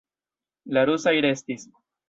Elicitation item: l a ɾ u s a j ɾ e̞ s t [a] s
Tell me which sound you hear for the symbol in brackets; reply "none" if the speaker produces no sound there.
i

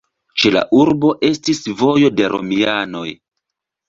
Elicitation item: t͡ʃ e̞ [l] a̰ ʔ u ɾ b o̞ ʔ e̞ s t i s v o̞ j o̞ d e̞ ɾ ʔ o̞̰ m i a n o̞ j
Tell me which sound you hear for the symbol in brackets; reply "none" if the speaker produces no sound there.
l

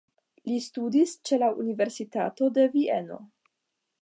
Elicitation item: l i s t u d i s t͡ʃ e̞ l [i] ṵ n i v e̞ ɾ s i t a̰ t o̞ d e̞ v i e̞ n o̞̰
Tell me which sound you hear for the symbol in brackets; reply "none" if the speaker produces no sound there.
a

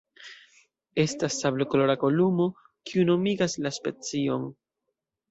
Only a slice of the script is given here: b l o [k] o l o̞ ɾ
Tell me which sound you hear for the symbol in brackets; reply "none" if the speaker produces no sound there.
k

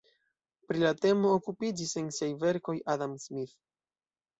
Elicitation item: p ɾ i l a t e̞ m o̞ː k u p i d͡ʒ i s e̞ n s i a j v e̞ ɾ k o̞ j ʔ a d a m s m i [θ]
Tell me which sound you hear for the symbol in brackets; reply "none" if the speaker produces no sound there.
θ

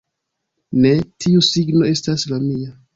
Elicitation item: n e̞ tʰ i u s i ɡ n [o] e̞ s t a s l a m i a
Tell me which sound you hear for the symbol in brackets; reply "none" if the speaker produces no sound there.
o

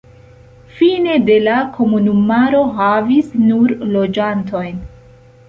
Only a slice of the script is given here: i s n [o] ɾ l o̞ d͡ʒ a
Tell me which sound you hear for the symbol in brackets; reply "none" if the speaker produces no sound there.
u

